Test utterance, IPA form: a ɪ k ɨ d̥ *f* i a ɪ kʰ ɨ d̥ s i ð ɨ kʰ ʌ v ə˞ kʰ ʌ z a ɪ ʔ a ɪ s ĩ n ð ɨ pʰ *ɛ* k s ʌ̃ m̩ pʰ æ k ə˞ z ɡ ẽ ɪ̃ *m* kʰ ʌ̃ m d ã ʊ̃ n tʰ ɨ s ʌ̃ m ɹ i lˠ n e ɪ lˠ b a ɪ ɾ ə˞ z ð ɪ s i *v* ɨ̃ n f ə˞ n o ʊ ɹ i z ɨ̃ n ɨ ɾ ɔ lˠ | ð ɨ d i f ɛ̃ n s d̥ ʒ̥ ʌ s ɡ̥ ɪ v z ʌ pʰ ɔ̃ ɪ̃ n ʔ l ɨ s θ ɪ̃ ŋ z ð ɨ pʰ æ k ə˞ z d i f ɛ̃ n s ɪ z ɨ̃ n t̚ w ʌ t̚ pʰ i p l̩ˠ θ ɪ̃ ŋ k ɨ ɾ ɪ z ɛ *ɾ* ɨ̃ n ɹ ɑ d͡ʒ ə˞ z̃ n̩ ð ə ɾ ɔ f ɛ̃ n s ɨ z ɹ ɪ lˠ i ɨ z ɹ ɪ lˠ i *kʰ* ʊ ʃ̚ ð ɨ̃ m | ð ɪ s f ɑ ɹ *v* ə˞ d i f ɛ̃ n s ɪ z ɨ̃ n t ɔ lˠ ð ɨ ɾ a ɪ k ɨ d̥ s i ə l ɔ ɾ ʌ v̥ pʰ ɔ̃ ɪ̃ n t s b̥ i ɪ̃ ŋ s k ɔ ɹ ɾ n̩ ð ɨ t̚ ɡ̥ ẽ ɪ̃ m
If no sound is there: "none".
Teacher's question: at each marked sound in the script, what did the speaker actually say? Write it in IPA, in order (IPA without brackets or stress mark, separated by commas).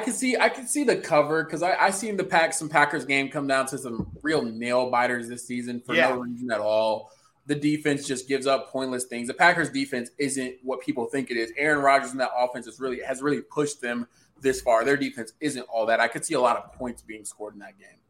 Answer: s, æ, m, z, ɹ, pʰ, ð